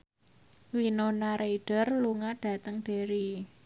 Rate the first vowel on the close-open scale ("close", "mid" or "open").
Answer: close